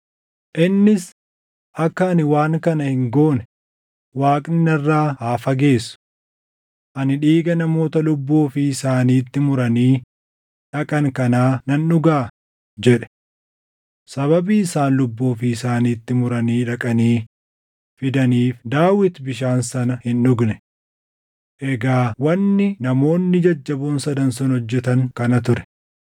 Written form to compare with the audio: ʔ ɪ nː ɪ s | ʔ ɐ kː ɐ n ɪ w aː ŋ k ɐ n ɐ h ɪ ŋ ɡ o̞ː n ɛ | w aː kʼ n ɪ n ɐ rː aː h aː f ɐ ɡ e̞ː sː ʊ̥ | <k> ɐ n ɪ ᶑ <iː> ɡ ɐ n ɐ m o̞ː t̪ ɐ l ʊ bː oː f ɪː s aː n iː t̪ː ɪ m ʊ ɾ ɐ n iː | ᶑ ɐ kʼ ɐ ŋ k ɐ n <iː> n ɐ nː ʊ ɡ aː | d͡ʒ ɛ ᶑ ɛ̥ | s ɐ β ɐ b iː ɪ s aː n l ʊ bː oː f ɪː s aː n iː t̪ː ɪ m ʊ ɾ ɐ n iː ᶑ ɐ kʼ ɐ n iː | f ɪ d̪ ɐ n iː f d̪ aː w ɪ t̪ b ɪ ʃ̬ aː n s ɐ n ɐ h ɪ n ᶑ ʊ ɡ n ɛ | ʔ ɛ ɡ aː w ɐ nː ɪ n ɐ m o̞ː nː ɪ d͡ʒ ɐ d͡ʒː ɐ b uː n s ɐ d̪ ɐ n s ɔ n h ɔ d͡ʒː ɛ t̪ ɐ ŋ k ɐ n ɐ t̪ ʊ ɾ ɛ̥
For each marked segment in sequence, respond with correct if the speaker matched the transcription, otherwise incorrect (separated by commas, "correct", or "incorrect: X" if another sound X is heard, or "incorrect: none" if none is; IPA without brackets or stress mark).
incorrect: ʔ, correct, incorrect: aː